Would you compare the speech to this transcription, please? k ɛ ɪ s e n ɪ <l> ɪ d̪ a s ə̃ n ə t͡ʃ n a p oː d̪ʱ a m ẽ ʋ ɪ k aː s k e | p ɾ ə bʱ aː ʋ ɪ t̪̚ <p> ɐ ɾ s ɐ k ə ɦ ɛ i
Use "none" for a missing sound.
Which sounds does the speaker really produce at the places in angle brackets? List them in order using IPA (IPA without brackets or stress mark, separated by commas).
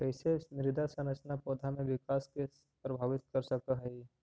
ɾ, k